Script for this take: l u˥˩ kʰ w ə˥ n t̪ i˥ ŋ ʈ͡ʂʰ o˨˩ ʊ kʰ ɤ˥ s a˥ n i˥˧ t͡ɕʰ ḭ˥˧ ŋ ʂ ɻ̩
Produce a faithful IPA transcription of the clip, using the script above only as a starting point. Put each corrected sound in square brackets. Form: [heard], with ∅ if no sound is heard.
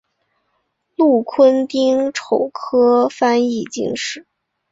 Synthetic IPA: l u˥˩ kʰ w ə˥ n t̪ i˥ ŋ ʈ͡ʂʰ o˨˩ ʊ kʰ ɤ˥ [f] a˥ n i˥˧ [t͡ɕ] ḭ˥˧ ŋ ʂ ɻ̩